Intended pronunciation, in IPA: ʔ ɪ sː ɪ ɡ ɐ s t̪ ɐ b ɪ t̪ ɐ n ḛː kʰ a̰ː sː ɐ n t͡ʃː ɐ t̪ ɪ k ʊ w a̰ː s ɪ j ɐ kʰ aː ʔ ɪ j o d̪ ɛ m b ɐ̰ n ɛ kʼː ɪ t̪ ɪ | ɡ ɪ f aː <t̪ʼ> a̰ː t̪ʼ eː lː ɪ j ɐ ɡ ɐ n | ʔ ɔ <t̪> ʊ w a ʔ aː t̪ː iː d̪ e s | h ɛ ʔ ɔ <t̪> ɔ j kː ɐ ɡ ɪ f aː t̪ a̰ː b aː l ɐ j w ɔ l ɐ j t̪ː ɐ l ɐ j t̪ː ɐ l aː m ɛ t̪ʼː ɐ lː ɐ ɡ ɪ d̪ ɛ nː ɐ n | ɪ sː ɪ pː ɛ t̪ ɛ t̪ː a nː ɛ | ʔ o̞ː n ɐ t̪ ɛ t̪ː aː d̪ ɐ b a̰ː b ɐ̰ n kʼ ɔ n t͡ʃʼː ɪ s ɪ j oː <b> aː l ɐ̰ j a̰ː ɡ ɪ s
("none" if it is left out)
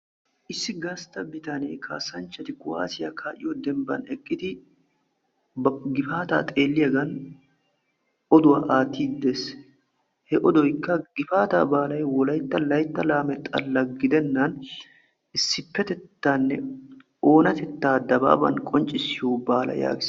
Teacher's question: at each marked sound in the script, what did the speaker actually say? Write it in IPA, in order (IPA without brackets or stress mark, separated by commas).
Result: t̪, d̪, d̪, b